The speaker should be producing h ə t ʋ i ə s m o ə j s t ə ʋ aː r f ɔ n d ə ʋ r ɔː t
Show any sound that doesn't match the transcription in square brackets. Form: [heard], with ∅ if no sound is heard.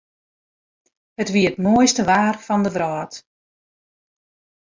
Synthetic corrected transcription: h ə t ʋ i ə [t] m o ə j s t ə ʋ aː r f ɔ n d ə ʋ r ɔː t